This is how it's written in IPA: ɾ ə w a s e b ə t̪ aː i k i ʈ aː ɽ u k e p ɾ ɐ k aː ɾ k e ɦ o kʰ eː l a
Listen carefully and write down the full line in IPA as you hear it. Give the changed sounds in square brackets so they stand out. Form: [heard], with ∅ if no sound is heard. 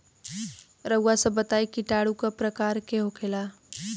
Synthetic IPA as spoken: ɾ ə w a s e b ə t̪ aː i k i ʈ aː ɽ u k [a] p ɾ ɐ k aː ɾ k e ɦ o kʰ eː l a